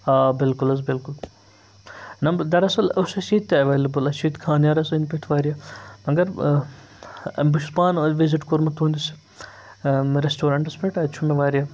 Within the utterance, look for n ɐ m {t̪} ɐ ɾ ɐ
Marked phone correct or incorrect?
incorrect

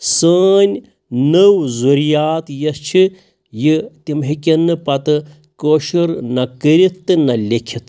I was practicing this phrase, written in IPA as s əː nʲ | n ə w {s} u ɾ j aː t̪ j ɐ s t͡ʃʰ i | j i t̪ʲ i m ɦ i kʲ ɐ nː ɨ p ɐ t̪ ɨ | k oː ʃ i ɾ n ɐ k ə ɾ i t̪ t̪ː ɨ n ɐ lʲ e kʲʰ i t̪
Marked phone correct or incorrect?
incorrect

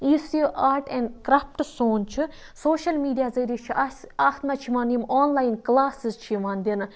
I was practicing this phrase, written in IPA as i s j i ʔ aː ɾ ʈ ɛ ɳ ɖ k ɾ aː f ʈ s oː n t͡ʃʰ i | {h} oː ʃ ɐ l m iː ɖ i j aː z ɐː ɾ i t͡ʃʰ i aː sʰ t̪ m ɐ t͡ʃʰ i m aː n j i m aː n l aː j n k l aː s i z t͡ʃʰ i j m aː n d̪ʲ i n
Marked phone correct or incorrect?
incorrect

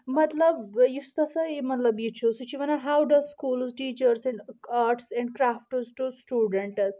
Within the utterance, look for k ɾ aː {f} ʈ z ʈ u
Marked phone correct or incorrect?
correct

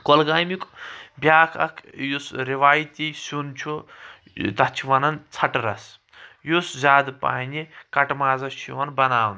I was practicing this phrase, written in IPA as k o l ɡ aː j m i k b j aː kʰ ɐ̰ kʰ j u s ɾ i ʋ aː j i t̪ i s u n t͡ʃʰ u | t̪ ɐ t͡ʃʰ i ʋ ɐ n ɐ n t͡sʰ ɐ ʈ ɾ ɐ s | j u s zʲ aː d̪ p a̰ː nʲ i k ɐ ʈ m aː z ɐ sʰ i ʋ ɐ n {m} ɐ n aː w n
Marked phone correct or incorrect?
incorrect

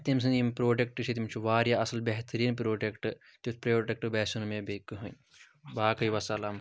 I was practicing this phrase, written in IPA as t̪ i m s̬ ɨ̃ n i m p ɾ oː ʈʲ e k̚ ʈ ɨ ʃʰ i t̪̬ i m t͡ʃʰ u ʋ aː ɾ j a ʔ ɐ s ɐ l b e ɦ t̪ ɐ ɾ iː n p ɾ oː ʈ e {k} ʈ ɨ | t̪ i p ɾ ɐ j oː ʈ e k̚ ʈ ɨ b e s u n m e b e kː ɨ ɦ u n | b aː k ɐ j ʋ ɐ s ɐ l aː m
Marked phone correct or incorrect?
correct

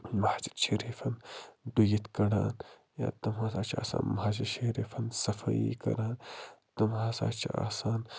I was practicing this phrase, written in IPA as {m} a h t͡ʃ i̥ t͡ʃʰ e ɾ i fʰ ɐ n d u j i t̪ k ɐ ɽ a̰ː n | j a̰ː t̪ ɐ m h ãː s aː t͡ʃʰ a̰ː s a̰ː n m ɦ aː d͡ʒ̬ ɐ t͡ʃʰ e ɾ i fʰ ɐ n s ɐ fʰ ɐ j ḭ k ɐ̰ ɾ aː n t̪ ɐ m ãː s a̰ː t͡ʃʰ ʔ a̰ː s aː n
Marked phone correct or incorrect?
correct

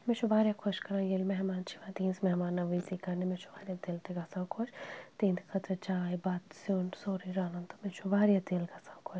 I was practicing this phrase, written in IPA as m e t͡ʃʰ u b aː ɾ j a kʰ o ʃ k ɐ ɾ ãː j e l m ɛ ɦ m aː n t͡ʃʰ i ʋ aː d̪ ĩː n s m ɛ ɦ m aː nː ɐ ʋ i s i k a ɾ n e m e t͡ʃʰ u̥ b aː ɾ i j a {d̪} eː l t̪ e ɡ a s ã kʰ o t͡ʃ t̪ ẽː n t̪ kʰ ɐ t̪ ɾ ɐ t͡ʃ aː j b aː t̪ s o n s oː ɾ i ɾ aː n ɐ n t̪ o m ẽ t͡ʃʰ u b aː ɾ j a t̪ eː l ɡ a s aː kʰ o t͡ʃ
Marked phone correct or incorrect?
incorrect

